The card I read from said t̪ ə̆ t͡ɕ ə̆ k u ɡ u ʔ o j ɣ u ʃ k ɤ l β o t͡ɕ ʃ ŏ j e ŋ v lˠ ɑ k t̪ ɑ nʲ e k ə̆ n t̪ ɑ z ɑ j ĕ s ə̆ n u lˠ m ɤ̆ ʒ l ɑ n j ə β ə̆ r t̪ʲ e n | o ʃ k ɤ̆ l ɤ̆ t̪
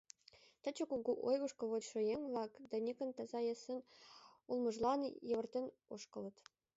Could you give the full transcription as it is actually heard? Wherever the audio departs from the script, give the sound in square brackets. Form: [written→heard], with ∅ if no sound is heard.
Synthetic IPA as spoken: t̪ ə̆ t͡ɕ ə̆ k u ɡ u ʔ o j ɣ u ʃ k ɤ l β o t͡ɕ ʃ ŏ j e ŋ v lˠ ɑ k [t̪→d̪] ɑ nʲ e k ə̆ n t̪ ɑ z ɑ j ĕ s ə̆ n u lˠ m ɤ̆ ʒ l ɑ n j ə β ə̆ r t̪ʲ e n | o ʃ k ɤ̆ l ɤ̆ t̪